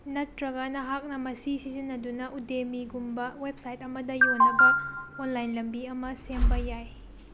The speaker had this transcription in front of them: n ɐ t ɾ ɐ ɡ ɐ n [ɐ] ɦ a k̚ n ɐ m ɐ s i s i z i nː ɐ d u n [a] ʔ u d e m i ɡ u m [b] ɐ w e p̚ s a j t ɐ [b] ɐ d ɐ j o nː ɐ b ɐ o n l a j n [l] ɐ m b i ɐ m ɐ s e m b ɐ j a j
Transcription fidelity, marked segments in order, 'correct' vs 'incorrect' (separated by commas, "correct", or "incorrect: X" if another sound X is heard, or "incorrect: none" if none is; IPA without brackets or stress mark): correct, incorrect: ɐ, correct, incorrect: m, correct